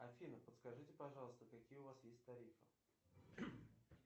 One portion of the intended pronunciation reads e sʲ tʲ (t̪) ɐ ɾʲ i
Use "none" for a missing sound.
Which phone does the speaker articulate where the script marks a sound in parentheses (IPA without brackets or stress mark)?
t̪